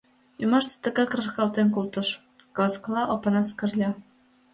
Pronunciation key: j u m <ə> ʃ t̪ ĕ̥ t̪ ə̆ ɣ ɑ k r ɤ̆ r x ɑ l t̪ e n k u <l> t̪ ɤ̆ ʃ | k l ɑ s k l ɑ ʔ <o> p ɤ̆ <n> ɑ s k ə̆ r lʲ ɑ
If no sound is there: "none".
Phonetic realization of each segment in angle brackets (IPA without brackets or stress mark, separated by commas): ɑ, l, o, n